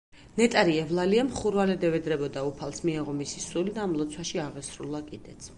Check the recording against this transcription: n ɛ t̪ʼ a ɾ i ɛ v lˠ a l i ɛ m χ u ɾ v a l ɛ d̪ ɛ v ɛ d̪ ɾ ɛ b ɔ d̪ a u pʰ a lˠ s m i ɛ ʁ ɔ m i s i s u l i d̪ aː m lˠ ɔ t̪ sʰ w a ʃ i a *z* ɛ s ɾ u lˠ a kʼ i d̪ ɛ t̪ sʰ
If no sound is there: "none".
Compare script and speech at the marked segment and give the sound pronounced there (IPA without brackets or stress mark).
ʁ